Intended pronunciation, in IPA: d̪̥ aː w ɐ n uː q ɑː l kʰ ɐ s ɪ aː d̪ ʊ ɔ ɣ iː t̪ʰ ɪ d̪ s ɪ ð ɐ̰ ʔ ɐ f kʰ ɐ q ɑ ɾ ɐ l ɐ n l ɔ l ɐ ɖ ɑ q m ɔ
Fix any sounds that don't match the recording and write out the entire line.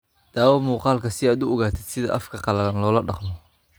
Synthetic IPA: d̪̥ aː w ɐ m uː q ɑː l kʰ ɐ s ɪ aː d̪ ʊ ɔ ɣ aː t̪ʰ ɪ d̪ s ɪ ð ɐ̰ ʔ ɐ f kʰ ɐ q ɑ l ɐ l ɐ n l ɔː l ɐ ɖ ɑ q m ɔ